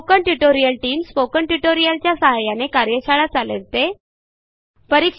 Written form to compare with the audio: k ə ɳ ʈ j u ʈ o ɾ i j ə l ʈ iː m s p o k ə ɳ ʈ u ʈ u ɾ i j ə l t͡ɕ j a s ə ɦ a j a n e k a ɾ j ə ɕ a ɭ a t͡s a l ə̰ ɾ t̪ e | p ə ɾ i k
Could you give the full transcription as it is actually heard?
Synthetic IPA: k ə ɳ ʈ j u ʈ o ɾ i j ə l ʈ iː m s p o k ə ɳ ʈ u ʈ o ɾ i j ə l t͡ɕ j a s ə ɦ a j a n e k a ɾ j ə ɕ a ɭ a t͡s a l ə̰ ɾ t̪ e | p ə ɾ i k